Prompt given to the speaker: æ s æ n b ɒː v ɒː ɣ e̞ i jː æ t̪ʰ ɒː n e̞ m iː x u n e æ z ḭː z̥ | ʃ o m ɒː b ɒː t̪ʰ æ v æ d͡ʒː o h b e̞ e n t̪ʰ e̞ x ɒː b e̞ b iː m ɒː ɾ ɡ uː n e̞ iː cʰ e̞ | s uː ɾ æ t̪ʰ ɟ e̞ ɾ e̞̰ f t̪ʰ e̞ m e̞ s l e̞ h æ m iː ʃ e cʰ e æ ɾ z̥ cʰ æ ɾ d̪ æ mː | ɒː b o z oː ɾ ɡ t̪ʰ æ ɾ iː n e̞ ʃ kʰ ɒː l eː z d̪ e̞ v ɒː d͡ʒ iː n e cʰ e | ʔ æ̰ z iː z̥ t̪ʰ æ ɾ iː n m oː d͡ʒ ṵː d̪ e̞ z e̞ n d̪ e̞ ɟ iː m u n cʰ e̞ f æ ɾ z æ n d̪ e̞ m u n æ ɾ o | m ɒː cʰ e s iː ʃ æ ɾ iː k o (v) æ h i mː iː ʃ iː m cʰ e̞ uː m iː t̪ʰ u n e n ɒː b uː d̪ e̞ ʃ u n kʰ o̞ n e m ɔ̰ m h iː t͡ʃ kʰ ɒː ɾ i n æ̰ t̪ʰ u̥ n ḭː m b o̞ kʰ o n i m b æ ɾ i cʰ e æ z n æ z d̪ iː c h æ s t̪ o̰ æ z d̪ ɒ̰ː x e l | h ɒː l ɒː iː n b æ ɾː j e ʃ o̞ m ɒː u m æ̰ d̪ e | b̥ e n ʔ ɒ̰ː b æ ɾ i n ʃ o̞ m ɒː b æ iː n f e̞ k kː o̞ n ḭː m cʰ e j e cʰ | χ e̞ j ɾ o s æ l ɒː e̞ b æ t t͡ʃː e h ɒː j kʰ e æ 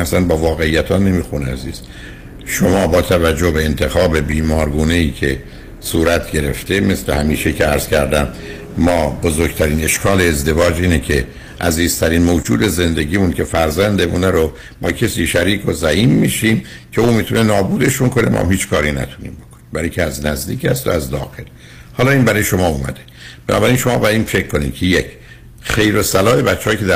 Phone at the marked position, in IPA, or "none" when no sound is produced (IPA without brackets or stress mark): z